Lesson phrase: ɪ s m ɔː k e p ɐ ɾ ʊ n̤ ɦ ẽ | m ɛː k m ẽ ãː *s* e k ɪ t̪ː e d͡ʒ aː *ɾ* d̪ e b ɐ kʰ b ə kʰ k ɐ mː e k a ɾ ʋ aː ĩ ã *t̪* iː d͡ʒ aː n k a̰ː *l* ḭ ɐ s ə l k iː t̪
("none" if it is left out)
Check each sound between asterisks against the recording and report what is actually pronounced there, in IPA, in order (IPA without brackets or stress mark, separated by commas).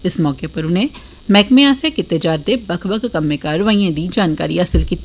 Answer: s, ɾ, d̪, ɾ